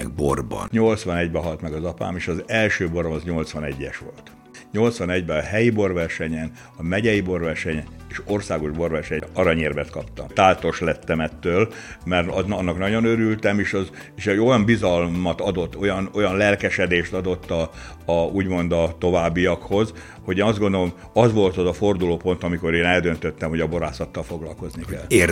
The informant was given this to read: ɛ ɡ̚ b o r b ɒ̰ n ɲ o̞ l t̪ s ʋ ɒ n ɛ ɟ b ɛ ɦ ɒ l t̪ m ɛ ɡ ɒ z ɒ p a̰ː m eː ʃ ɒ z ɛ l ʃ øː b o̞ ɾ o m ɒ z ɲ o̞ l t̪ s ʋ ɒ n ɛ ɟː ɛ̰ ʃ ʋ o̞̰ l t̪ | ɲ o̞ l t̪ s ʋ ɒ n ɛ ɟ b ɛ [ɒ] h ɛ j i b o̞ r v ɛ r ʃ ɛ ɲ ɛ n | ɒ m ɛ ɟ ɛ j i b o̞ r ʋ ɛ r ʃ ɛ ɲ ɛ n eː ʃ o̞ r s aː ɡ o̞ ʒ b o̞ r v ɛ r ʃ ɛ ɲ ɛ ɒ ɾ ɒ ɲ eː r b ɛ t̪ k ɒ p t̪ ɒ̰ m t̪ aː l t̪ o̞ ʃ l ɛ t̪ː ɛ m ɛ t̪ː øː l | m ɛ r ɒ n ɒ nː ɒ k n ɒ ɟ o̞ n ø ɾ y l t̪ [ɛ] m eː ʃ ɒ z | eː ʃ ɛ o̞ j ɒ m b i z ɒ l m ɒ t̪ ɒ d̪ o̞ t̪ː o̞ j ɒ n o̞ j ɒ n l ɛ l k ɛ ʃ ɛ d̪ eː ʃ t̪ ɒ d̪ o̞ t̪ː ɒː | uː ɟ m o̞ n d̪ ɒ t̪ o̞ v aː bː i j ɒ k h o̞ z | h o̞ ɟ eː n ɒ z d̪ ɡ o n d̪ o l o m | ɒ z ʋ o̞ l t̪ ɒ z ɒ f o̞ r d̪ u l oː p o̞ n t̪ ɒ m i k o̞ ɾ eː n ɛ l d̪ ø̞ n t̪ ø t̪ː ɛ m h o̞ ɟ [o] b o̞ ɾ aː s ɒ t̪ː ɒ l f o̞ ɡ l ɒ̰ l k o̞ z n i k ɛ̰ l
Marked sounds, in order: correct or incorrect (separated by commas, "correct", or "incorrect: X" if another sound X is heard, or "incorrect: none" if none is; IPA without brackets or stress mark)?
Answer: correct, correct, incorrect: ɒ